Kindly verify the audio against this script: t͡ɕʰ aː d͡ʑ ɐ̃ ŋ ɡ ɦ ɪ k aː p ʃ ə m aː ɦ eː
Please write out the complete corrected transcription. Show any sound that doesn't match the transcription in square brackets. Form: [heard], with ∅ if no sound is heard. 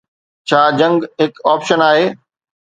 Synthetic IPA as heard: t͡ɕʰ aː d͡ʑ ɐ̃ ŋ ɡ ɦ ɪ k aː p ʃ ə [n] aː ɦ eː